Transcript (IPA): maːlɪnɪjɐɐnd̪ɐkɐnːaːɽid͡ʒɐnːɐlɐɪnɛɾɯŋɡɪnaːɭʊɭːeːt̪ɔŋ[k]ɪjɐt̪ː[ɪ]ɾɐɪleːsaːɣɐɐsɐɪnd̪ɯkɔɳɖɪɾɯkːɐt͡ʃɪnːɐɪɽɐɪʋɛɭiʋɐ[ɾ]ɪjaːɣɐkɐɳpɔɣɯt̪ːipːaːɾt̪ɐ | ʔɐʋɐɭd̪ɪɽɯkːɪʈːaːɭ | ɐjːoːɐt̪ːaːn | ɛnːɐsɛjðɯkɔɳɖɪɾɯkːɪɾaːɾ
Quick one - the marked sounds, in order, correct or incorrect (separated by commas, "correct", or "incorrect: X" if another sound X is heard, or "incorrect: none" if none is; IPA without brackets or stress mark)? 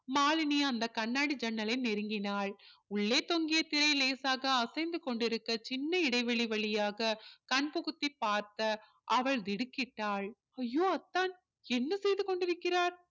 incorrect: ɡ, correct, incorrect: ɭ